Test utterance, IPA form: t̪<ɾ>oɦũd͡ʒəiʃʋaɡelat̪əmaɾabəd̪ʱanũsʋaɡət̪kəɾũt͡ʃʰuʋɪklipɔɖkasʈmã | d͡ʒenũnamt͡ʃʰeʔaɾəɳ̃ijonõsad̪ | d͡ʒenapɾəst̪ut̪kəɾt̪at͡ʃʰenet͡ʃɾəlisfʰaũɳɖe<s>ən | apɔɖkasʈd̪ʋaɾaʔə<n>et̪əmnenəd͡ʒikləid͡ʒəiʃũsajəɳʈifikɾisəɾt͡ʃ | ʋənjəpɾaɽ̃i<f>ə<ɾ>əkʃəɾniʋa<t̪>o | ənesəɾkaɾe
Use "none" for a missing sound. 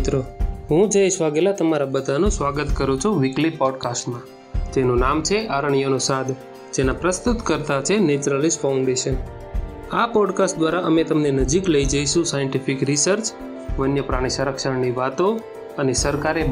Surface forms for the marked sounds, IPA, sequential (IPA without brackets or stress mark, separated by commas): ɾ, ʃ, m, s, ɾ, t̪